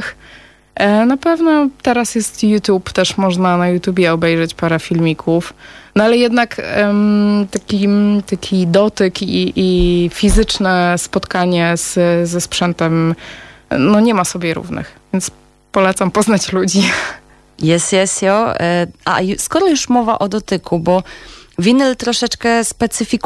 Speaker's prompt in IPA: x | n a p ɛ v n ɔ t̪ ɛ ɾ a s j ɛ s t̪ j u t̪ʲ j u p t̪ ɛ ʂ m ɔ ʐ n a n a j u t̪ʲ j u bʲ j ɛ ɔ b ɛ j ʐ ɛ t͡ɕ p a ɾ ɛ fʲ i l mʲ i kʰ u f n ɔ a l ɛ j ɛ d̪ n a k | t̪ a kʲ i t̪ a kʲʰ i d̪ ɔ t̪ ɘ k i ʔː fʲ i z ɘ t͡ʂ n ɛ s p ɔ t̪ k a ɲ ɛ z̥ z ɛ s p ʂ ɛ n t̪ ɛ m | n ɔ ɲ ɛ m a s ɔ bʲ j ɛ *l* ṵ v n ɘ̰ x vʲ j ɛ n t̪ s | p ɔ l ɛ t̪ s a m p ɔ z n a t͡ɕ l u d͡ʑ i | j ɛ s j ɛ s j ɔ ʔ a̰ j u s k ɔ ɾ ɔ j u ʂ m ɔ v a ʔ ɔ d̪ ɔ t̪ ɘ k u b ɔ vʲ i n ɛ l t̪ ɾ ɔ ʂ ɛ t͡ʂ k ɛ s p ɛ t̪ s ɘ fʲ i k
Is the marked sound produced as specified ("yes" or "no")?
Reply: no